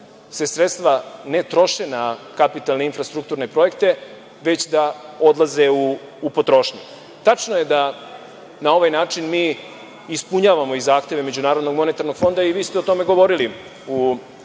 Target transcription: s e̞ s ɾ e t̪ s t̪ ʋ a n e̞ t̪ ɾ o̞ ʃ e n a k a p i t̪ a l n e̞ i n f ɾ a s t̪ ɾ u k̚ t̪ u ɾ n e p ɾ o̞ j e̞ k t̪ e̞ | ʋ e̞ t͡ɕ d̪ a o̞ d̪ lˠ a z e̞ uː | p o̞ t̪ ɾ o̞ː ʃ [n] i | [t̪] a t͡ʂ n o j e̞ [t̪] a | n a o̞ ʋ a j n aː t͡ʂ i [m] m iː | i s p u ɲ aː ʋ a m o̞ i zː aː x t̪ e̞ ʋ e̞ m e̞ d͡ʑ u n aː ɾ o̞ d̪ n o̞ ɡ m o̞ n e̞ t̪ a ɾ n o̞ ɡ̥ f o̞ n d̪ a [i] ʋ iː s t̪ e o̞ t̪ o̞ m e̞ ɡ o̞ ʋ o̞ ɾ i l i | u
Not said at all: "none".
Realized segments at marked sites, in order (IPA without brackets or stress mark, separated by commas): ɲ, t̪, d̪, n, i